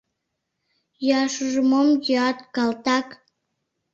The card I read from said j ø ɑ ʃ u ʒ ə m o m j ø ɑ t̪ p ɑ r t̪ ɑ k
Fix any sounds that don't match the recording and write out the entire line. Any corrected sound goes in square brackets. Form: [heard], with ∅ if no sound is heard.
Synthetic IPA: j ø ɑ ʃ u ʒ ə m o m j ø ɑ t̪ [k] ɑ [l] t̪ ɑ k